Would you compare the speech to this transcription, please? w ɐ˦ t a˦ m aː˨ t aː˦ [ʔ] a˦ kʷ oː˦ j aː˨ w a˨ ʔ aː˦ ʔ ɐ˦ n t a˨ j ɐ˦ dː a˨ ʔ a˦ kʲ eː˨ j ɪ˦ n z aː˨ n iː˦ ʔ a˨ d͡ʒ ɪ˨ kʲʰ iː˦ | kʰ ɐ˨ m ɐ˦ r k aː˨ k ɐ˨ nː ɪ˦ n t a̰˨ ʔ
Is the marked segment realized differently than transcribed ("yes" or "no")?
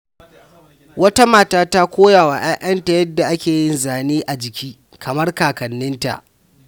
yes